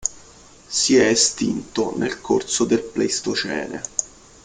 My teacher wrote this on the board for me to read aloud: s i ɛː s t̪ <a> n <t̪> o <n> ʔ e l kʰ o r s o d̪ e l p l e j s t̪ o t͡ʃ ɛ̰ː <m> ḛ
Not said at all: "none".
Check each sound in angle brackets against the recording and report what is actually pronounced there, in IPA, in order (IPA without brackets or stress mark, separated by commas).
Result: i, t̪, n, n